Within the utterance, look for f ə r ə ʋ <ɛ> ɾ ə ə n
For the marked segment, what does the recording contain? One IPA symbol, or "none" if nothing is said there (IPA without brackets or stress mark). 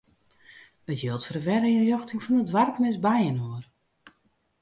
ɛ